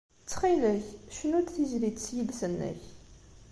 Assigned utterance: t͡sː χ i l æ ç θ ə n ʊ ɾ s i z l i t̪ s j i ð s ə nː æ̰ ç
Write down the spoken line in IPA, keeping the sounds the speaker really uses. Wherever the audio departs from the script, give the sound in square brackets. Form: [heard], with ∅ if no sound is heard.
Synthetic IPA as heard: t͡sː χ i l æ ç [ʃ] ə n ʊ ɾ [θ] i z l i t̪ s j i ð s ə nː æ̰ ç